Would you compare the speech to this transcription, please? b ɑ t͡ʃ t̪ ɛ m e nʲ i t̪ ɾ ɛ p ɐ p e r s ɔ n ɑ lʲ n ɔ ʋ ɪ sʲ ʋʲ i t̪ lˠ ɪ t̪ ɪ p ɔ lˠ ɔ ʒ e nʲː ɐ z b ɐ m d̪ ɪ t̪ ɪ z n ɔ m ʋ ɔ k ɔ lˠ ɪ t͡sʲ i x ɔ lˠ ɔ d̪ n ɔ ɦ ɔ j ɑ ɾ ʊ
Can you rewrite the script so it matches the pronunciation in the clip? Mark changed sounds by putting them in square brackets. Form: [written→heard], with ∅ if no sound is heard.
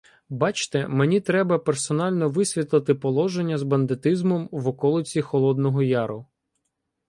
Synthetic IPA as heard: b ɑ t͡ʃ t̪ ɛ m e nʲ i t̪ ɾ ɛ [p→b] ɐ p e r s ɔ n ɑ lʲ n ɔ ʋ ɪ sʲ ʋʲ i t̪ lˠ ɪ t̪ ɪ p ɔ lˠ ɔ ʒ e nʲː ɐ z b ɐ [m→n] d̪ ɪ t̪ ɪ z [n→m] ɔ m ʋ ɔ k ɔ lˠ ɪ t͡sʲ i x ɔ lˠ ɔ d̪ n ɔ ɦ ɔ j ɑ ɾ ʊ